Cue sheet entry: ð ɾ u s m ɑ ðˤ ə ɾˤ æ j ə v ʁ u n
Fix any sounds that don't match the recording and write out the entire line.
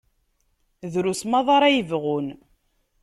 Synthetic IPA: ð ɾ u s m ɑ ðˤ ɑ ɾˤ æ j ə v ʁ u n